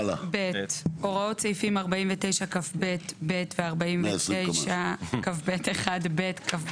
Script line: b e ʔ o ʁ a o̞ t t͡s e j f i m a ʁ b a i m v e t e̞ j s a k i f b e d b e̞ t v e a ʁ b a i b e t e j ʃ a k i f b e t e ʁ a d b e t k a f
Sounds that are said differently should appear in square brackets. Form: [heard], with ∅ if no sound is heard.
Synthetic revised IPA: b e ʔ o ʁ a o̞ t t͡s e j f i m a ʁ b a i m v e t e̞ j [ʃ] a k [a] f b e [t] b e̞ t v e a ʁ b a i [m] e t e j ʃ a k [a] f b e t e [χ] a d b e t k a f